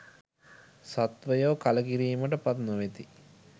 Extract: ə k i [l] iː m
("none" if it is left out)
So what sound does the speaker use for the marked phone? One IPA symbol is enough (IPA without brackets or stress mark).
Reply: ɾ